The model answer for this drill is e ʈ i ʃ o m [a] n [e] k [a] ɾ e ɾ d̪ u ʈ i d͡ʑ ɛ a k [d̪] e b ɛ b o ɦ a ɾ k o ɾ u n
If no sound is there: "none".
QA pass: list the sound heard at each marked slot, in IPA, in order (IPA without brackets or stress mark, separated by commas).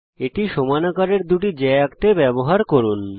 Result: a, a, a, t̪